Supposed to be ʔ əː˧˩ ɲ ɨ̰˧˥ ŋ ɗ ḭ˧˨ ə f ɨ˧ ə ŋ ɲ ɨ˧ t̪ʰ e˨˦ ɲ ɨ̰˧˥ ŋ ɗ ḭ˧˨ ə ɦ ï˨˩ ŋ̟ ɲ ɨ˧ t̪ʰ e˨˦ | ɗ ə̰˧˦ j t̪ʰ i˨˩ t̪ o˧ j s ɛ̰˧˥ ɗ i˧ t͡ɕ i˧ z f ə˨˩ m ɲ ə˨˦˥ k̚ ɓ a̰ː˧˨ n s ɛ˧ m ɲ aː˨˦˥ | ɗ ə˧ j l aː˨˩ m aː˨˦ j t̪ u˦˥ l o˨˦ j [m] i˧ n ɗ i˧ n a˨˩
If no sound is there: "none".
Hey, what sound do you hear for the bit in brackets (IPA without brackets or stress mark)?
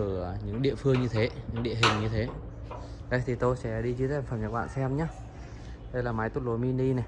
m